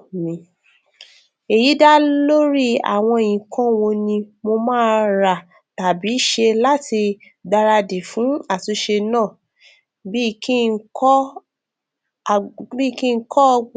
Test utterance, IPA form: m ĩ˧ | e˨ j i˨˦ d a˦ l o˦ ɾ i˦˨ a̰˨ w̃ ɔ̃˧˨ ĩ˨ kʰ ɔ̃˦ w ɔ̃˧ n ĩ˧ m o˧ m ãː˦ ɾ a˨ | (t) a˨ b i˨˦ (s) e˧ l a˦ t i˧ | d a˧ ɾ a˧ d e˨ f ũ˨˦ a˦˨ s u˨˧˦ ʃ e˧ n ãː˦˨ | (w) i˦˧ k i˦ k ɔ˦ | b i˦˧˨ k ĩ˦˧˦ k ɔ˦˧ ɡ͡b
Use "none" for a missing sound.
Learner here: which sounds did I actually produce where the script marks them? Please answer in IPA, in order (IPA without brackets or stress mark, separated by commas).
t, ʃ, b